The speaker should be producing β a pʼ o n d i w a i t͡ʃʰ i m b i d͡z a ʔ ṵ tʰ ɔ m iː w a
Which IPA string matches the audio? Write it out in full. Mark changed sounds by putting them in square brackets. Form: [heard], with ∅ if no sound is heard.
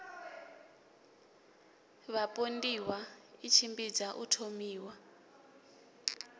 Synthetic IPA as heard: β a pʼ o n d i w a i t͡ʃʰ i m b i d͡z a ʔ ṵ tʰ [o] m iː w a